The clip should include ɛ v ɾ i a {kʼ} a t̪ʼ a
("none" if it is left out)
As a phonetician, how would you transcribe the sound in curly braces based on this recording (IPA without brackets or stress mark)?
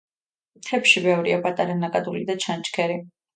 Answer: pʼ